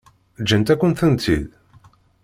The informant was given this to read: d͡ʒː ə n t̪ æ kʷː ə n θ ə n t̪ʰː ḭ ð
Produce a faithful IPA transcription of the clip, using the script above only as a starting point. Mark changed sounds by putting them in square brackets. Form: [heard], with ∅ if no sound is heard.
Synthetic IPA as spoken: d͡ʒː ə n t̪ æ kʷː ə n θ ə n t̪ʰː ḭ ð